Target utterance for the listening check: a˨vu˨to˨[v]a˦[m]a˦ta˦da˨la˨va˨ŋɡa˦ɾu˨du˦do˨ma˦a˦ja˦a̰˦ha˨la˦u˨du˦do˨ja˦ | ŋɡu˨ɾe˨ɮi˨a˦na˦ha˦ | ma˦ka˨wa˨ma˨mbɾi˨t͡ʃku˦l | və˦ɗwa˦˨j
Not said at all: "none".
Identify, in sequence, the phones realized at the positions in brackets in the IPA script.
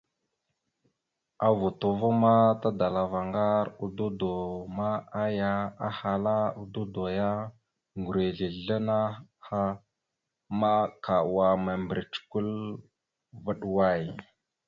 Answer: v, m

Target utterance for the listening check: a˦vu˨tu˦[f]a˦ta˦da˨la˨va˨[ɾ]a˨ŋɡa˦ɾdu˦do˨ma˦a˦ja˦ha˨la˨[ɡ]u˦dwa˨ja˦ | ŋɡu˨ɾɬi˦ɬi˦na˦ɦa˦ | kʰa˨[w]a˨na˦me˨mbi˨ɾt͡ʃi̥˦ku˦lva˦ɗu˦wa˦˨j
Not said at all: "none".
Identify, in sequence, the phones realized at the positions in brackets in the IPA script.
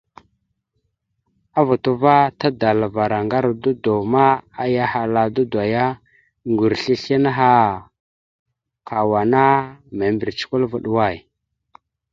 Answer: v, ɾ, d, w

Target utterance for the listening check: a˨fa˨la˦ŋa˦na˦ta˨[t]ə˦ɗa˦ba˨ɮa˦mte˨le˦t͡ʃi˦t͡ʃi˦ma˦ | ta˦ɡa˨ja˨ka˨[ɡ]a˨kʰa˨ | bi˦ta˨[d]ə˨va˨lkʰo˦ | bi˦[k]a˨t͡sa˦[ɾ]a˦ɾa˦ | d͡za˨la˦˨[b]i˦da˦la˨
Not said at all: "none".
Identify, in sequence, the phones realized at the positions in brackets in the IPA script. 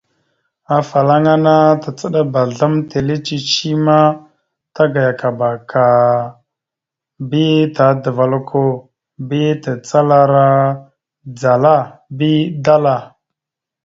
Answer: t͡s, b, d, t, l, b

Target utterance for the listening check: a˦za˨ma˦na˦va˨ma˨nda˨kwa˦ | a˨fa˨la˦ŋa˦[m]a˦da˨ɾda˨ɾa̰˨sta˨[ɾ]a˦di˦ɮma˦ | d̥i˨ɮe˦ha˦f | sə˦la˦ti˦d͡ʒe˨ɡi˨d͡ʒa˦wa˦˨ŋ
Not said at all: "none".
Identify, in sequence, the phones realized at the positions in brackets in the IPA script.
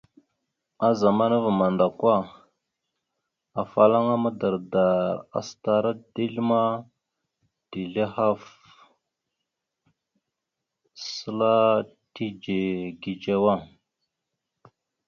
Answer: m, ɾ

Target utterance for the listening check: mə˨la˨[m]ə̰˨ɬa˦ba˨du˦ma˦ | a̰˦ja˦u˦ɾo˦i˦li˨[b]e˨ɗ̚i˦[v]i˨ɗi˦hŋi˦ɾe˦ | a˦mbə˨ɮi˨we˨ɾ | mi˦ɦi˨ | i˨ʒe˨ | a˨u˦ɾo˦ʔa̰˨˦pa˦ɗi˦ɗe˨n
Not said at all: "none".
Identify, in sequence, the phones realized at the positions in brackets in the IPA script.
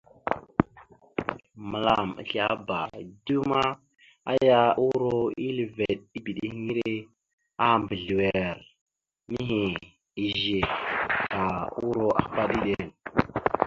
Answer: m, v, b

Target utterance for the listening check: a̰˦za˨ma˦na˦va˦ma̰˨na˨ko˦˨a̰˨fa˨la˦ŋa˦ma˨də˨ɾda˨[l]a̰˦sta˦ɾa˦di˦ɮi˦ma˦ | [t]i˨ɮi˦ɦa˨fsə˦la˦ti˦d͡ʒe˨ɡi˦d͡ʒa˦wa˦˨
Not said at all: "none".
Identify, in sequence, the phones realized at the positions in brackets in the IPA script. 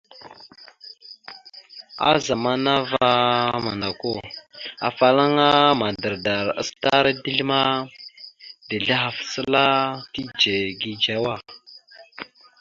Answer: ɾ, d

